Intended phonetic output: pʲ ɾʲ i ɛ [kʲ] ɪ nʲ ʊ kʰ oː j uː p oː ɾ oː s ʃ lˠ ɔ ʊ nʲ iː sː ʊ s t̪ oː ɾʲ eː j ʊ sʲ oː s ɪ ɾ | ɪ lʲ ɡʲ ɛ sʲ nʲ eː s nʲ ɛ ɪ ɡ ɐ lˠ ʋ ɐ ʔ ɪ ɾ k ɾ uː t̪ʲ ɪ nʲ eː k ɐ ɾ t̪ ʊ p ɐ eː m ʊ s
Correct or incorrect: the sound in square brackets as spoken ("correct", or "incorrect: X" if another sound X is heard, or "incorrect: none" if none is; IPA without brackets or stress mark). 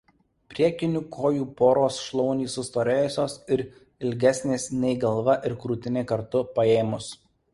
correct